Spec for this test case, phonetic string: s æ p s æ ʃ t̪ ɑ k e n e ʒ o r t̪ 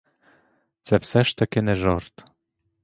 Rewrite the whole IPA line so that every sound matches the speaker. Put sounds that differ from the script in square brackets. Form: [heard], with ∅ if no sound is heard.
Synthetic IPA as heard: [t͡s] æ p s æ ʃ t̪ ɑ k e n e ʒ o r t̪

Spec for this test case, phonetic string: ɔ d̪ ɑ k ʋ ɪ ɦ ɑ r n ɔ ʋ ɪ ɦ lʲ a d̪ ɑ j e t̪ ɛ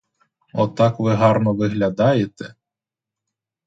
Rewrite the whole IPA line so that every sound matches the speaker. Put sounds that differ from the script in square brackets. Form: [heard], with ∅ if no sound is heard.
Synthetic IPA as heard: ɔ [t̪] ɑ k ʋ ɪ ɦ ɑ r n ɔ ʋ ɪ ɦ lʲ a d̪ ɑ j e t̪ ɛ

